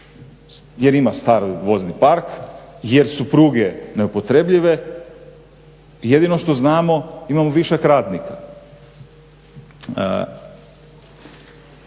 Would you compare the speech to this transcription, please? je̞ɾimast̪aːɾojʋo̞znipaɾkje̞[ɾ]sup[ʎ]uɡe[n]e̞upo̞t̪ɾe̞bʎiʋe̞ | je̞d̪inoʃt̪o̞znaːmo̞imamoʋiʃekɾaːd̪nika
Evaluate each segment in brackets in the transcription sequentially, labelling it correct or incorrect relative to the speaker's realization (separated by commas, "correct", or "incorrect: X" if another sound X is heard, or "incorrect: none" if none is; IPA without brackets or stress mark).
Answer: correct, incorrect: ɾ, correct